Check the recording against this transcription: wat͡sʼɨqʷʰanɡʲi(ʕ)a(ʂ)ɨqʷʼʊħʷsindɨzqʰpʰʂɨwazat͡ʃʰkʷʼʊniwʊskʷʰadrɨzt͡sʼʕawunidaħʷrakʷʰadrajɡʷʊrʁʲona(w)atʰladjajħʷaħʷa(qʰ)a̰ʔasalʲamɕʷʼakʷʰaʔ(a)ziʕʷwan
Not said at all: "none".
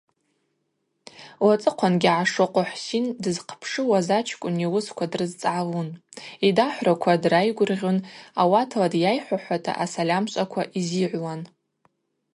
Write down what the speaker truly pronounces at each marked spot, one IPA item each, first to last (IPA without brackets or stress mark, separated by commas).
ʕ, ʂ, w, tʰ, i